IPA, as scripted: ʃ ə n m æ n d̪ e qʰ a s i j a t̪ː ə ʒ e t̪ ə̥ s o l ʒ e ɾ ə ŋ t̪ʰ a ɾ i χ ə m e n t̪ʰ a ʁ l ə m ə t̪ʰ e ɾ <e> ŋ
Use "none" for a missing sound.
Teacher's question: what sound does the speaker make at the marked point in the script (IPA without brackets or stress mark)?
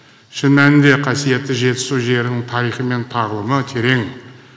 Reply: e